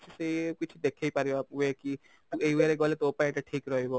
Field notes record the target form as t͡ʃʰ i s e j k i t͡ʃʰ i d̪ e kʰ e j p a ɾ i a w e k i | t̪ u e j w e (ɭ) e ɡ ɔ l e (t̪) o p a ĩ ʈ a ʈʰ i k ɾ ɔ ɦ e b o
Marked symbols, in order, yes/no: no, yes

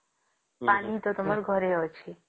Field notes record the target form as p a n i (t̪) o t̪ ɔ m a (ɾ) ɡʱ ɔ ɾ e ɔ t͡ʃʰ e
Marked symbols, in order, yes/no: yes, yes

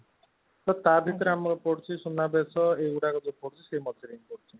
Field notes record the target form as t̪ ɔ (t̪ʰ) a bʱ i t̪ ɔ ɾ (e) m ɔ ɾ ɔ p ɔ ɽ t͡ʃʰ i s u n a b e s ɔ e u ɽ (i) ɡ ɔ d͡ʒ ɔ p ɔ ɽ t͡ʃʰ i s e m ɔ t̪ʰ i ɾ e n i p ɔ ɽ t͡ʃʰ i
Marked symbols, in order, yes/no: no, no, no

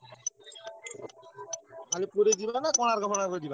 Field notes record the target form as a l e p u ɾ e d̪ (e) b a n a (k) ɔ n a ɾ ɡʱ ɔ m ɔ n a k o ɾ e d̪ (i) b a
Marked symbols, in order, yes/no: no, yes, yes

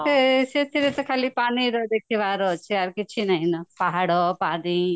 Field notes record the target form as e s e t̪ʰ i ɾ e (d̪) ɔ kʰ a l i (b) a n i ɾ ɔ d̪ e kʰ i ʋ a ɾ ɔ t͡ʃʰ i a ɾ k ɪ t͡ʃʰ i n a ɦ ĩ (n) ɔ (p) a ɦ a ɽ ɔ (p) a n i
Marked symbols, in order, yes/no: no, no, yes, yes, yes

